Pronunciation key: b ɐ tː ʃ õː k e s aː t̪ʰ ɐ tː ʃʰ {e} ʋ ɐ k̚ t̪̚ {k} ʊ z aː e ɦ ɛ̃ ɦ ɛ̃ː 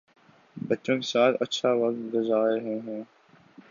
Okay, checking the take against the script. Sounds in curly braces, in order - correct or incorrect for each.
incorrect: a, incorrect: ɡ

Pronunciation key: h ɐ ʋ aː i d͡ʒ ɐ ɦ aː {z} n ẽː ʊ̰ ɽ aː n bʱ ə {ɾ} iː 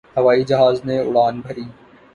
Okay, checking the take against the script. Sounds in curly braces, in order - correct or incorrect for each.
correct, correct

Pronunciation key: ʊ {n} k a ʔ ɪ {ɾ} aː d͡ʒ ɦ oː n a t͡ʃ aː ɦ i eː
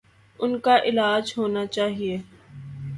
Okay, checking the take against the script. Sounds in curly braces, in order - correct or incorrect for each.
correct, incorrect: l

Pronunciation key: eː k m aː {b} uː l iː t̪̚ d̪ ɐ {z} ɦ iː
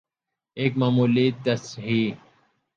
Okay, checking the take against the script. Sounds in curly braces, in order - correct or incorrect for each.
incorrect: m, incorrect: s

